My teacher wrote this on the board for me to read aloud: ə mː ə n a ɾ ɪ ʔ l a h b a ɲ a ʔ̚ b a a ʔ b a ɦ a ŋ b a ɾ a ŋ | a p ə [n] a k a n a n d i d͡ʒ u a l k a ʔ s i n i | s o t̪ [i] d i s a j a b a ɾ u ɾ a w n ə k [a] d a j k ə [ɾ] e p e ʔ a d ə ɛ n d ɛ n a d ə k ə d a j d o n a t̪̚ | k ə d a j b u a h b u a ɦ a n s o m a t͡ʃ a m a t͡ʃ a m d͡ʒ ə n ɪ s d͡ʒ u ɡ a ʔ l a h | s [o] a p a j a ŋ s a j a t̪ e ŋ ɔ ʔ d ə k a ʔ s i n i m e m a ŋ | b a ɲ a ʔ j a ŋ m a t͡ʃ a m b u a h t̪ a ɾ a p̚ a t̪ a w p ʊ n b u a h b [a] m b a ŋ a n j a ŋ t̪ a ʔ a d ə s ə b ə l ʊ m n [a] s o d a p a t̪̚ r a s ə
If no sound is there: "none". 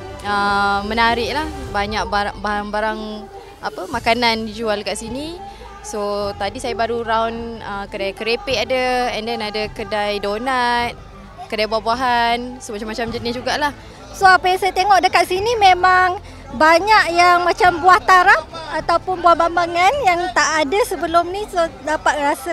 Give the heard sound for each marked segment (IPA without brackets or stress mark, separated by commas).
m, a, ə, ɾ, o, a, i